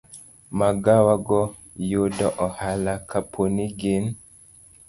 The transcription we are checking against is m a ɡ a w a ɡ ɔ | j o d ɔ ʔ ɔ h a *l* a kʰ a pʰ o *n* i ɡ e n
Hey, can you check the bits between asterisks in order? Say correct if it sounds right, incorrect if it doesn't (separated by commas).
correct, correct